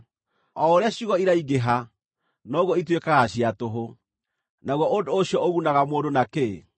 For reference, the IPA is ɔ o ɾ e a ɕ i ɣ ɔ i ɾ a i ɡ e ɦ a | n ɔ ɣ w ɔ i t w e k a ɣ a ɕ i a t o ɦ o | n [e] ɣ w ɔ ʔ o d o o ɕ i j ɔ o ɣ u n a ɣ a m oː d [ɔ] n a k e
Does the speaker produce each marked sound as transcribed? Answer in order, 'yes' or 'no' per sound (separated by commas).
no, no